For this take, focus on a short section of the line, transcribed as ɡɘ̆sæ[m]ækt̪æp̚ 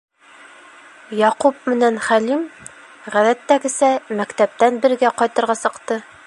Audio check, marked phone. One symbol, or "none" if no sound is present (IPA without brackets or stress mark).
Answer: m